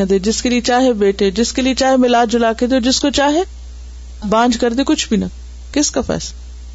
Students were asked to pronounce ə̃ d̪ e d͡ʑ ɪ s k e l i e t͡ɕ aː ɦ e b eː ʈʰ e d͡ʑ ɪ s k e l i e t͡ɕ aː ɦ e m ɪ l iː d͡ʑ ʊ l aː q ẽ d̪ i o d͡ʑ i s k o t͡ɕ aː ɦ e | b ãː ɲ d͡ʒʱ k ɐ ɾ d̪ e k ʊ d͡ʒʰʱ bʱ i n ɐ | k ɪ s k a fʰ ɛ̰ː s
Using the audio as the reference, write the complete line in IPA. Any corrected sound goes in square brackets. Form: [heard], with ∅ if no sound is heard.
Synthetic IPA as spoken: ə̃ d̪ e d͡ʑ ɪ s k e l i e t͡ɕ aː ɦ e b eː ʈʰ e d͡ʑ ɪ s k e l i e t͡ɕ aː ɦ e m ɪ l [aː] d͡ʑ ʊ l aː [k] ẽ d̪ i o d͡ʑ [ɪ] s k o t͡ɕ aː ɦ e | b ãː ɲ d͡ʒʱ k ɐ ɾ d̪ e k ʊ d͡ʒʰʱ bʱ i n ɐ | k ɪ s k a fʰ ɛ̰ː s